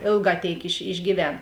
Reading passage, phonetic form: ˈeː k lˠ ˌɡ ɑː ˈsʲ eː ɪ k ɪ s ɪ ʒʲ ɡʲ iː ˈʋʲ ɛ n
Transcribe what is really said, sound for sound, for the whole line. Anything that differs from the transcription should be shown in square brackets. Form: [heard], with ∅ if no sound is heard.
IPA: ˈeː [∅] lˠ ˌɡ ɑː [ˈtʲ] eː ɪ k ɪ [ʃ] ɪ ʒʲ ɡʲ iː ˈʋʲ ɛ n